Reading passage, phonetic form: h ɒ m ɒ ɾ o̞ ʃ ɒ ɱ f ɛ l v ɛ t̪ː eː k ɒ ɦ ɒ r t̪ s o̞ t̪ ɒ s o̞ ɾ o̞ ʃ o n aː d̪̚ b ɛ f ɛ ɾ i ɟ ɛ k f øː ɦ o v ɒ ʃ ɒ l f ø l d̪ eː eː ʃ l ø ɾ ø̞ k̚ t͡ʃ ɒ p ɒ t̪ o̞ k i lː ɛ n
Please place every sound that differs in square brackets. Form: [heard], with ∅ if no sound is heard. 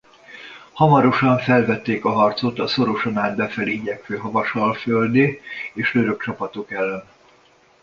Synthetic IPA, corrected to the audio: h ɒ m ɒ ɾ o̞ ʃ ɒ ɱ f ɛ l v ɛ t̪ː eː k ɒ ɦ ɒ r t̪ s o̞ t̪ ɒ s o̞ ɾ o̞ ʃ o n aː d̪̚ b ɛ f ɛ [l] i ɟ ɛ k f øː ɦ [ɒ] v ɒ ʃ ɒ l f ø l d̪ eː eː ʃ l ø ɾ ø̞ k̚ t͡ʃ ɒ p ɒ t̪ o̞ k [ɛ] lː ɛ n